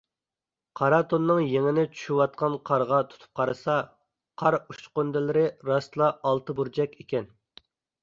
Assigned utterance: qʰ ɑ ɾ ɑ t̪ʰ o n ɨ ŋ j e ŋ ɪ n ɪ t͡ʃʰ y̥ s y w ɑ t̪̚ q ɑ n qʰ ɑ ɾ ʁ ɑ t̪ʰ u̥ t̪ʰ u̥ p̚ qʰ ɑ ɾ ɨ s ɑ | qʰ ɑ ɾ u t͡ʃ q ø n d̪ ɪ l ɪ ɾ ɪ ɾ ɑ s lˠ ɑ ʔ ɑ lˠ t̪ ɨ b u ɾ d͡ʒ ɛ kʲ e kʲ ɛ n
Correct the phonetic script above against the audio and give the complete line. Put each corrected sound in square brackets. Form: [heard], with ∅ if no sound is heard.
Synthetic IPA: qʰ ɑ ɾ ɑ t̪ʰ o [nː] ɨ ŋ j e ŋ ɪ n ɪ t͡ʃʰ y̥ [ʃ] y w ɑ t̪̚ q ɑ n qʰ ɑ ɾ ʁ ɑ t̪ʰ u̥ t̪ʰ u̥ p̚ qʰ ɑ ɾ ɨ s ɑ | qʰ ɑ ɾ u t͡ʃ q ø n d̪ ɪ l ɪ ɾ ɪ ɾ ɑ s lˠ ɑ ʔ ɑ lˠ t̪ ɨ b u ɾ d͡ʒ ɛ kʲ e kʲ ɛ n